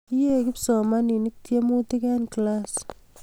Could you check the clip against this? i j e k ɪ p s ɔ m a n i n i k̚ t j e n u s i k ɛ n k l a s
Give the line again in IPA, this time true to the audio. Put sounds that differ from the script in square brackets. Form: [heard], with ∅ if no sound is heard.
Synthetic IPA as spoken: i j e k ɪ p s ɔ m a n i n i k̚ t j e [m] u [t] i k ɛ n k l a s